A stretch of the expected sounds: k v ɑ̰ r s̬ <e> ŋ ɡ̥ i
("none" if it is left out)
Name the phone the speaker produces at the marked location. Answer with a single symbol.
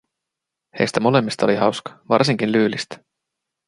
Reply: i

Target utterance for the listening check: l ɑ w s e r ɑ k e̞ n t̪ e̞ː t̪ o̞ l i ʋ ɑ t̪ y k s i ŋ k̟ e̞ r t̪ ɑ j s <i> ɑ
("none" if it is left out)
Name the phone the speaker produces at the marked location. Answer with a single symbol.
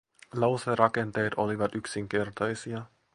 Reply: i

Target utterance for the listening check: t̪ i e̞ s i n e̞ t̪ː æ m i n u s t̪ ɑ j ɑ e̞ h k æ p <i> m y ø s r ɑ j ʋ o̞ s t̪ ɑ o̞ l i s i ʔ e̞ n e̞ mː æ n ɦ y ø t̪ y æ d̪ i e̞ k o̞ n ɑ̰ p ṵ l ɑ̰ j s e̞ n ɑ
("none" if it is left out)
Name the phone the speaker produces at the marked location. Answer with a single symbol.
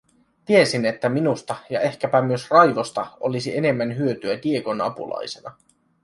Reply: æ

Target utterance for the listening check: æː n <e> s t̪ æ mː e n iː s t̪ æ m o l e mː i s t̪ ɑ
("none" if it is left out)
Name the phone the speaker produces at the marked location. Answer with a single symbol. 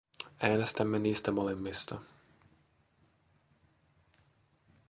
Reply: e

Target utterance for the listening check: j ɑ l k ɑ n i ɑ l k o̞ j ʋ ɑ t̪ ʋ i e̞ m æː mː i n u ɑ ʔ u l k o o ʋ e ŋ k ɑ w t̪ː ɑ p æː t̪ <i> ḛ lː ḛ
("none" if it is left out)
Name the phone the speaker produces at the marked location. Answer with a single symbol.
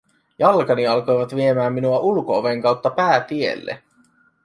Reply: i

